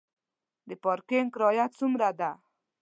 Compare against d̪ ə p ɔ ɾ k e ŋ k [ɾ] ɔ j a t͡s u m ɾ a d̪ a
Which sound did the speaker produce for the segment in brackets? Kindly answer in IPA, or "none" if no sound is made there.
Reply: ɾ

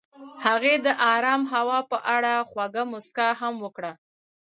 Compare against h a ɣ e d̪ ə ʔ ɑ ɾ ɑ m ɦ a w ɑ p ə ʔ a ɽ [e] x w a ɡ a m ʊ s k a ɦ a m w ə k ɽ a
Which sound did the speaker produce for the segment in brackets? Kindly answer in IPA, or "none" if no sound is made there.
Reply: a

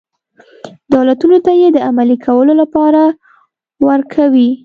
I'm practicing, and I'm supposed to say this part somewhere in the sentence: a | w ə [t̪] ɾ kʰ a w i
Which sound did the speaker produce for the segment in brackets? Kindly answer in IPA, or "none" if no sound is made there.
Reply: none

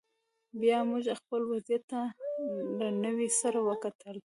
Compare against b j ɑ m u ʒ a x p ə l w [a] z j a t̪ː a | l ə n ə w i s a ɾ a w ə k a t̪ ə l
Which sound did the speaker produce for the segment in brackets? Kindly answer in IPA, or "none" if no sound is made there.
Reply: a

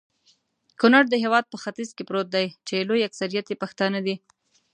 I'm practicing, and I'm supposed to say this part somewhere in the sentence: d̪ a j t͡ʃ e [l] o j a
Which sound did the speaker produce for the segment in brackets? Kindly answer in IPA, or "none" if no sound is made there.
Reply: l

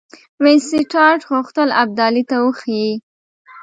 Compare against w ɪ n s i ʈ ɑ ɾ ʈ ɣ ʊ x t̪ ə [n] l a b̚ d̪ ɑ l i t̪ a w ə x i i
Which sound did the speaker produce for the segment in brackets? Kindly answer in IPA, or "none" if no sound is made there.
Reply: none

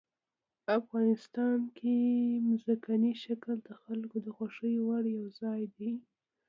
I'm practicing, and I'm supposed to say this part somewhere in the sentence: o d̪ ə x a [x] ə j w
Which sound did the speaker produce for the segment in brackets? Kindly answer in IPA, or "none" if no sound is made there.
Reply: ʂ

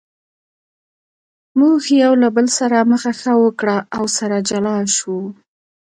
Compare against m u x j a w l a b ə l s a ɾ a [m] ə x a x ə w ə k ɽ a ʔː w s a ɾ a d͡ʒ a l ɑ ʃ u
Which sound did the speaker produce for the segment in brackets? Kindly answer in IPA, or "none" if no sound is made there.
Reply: m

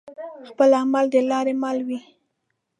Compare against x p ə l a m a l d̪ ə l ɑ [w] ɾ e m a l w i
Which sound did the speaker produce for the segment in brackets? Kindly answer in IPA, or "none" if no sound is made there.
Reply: none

